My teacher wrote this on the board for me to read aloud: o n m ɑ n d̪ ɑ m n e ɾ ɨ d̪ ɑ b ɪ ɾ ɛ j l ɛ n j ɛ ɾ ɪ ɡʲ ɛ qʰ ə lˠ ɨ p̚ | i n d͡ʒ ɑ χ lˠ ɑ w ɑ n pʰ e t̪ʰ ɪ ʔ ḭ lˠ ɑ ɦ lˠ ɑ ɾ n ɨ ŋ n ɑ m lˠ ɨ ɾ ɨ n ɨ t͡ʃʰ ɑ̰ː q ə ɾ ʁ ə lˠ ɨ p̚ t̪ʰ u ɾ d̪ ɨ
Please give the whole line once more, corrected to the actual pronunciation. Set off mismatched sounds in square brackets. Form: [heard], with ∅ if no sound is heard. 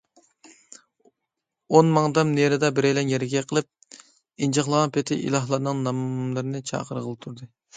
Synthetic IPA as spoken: o n m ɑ [ŋ] d̪ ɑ m n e ɾ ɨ d̪ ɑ b ɪ ɾ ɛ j l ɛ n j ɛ ɾ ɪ ɡʲ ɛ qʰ ə lˠ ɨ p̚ | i n d͡ʒ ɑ χ lˠ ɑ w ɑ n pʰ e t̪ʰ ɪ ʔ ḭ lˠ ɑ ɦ lˠ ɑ ɾ n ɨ ŋ n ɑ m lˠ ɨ ɾ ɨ n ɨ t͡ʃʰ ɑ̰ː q ə ɾ ʁ ə lˠ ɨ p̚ t̪ʰ u ɾ d̪ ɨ